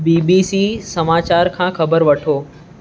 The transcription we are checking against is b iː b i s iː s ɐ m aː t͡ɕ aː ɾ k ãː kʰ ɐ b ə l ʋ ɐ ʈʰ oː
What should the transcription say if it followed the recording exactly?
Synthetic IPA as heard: b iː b i s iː s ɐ m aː t͡ɕ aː ɾ kʰ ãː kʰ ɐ b ə ɾ ʋ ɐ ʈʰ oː